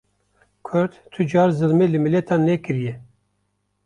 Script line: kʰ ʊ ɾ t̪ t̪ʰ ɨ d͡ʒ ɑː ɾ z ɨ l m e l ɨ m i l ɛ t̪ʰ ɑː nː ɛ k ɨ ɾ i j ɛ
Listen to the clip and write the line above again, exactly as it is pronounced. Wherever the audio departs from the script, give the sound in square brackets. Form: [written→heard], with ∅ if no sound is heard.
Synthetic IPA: kʰ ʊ ɾ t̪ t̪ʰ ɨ d͡ʒ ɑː ɾ z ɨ l m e l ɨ m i l ɛ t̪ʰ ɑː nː ɛ k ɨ ɾ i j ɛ